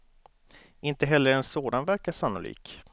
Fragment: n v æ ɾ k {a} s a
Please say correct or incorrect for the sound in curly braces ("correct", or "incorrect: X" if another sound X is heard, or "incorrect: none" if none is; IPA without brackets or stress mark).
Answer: correct